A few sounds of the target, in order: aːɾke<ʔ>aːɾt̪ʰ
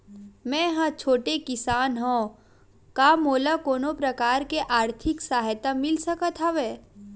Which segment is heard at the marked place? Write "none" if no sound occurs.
ʔ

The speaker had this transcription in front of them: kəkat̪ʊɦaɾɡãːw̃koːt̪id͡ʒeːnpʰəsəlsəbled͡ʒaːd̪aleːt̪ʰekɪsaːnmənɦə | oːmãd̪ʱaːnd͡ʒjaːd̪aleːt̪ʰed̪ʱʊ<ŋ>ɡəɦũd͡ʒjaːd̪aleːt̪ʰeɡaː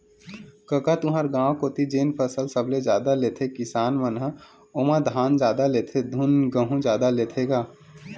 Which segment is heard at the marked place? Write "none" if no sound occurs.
n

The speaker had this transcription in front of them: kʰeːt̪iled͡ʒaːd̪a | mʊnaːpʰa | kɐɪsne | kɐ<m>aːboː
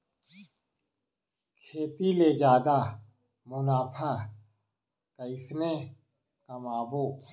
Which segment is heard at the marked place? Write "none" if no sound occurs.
m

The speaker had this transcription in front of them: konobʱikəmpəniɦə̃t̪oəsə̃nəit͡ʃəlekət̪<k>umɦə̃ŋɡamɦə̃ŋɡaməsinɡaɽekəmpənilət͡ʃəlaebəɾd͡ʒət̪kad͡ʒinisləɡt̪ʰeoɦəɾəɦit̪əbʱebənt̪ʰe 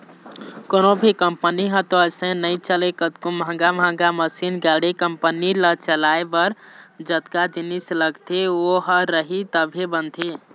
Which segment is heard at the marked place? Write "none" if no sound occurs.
k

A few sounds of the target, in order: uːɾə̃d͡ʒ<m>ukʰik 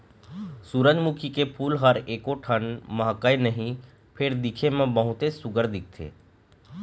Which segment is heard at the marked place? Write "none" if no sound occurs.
m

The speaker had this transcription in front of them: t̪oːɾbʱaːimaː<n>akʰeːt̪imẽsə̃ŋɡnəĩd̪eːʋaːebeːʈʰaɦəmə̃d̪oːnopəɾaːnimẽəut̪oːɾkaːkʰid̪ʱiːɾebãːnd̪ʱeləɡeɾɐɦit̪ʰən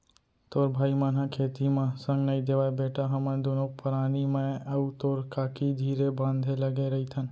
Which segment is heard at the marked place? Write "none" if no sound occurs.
n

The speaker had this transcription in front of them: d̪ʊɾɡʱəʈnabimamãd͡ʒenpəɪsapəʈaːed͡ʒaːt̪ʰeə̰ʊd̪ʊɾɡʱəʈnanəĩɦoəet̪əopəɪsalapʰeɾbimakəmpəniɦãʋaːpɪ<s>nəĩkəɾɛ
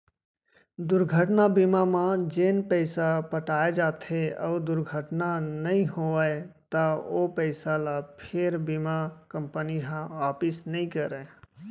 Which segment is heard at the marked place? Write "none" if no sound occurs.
s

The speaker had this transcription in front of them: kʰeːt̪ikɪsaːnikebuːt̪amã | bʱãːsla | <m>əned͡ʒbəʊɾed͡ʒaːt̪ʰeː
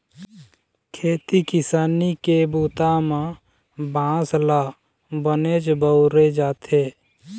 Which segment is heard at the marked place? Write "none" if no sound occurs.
b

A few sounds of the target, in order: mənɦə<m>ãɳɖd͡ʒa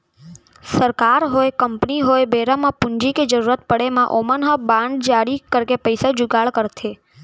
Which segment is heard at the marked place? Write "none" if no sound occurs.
b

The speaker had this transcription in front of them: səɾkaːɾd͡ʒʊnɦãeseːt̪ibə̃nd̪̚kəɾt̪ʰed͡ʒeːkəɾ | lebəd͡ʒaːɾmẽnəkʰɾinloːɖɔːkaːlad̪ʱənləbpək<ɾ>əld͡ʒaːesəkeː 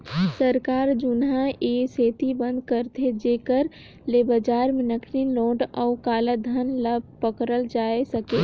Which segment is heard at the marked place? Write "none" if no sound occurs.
ɾ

